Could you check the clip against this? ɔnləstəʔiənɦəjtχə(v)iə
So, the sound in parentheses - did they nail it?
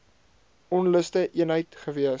yes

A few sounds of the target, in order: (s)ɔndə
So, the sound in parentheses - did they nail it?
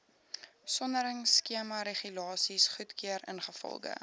yes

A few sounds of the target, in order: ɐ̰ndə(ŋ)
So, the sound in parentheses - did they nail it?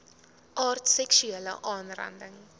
yes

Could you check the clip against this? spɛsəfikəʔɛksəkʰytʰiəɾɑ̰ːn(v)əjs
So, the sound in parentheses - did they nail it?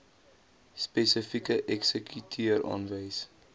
yes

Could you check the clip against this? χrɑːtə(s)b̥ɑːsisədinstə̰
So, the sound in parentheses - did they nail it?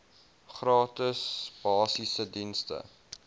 yes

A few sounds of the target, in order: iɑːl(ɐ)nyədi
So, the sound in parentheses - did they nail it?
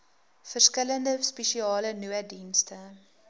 no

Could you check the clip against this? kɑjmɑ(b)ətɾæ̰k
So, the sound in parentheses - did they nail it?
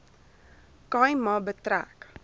yes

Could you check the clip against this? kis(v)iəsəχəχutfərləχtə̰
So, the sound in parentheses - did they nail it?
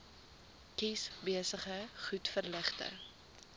no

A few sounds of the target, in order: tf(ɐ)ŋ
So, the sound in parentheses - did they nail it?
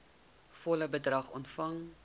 yes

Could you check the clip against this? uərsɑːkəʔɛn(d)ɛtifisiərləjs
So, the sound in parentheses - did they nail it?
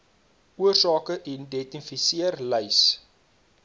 yes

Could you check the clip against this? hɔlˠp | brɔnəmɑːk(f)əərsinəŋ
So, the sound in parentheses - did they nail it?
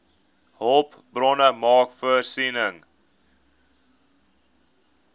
yes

